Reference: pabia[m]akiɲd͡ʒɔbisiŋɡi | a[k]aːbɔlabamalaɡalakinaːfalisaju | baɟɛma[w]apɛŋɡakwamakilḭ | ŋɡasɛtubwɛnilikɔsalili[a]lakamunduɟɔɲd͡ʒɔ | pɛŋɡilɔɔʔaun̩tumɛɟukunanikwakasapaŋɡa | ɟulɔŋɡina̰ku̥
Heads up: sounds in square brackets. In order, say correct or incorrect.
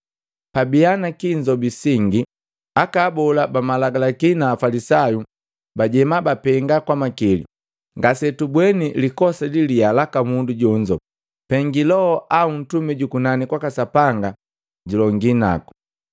incorrect, correct, incorrect, correct

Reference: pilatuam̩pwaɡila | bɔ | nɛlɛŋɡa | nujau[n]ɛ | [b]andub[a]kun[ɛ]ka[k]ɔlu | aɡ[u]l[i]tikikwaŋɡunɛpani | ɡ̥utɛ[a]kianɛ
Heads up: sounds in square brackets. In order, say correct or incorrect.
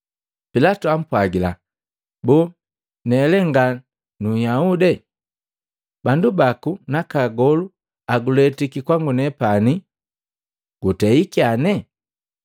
incorrect, correct, correct, incorrect, incorrect, correct, incorrect, incorrect

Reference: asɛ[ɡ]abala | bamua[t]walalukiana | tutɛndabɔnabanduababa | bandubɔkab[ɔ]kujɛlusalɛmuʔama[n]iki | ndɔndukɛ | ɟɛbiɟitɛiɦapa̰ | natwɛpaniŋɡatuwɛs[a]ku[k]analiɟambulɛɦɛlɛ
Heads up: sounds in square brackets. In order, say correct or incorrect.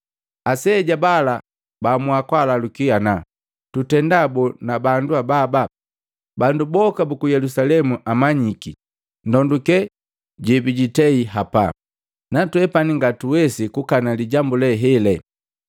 incorrect, incorrect, incorrect, incorrect, incorrect, correct

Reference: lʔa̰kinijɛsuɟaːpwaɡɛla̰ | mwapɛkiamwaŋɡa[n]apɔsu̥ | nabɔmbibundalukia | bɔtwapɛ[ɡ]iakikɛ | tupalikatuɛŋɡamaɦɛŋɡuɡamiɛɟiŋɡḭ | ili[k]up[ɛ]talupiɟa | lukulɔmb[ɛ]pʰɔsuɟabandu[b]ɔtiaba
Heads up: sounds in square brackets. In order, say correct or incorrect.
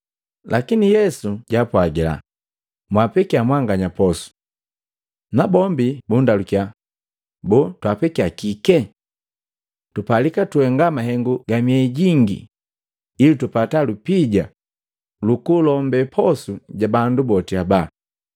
incorrect, incorrect, incorrect, incorrect, correct, correct

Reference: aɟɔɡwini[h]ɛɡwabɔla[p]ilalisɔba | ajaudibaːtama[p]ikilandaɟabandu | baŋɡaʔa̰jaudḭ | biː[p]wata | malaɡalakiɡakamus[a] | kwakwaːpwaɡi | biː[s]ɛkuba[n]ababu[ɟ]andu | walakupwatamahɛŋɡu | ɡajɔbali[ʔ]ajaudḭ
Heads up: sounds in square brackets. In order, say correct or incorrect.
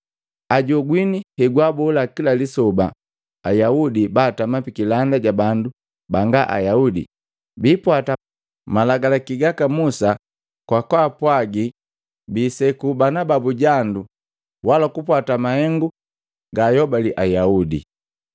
correct, incorrect, correct, correct, correct, correct, correct, correct, correct

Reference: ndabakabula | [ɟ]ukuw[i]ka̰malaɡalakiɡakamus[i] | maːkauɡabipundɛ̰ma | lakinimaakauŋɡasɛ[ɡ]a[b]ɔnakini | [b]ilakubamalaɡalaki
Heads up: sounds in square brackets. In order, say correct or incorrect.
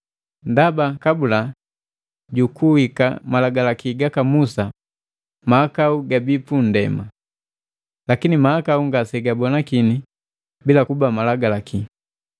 correct, correct, incorrect, correct, correct, correct

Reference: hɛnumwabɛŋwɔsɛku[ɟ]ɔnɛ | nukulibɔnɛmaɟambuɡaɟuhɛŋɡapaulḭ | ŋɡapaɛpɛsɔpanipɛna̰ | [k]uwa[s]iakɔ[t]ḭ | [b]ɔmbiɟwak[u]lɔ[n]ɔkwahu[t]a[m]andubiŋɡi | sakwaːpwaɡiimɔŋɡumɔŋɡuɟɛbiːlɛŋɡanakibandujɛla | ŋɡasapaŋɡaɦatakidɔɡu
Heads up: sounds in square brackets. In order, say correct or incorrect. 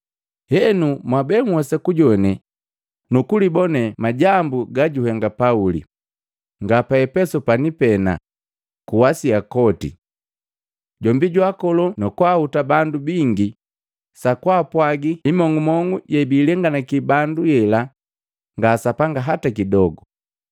correct, correct, correct, correct, incorrect, incorrect, correct, correct, incorrect

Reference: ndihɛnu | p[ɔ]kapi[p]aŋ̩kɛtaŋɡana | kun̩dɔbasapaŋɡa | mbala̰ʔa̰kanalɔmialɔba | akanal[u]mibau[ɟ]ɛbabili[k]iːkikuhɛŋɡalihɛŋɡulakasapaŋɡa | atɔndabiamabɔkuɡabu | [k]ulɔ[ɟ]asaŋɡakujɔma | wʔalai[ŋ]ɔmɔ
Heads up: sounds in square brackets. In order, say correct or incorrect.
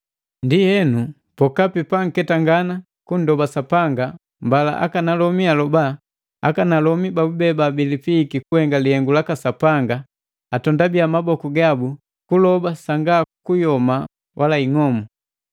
correct, correct, incorrect, incorrect, incorrect, correct, incorrect, correct

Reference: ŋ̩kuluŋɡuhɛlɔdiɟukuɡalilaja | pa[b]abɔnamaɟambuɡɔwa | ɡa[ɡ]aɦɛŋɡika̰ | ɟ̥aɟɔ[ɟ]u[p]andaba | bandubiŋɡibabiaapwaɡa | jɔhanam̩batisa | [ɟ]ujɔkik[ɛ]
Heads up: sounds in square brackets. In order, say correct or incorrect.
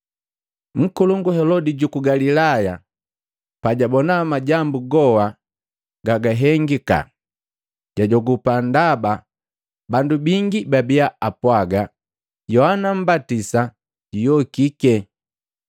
incorrect, correct, incorrect, correct, correct, correct

